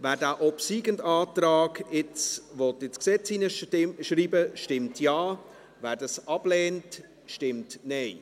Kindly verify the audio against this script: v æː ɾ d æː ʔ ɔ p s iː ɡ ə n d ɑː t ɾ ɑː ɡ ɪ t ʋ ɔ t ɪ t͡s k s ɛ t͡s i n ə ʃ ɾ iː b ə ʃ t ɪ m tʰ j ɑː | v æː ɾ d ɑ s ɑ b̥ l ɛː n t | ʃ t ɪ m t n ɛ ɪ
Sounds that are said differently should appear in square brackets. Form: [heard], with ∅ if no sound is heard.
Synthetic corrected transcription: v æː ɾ d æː ʔ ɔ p s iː ɡ ə n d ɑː t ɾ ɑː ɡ ɪ [t͡s] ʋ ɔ t ɪ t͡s k s ɛ t͡s i n ə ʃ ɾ iː b ə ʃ t ɪ m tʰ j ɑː | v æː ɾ d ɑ s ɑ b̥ l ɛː n t | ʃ t ɪ m t n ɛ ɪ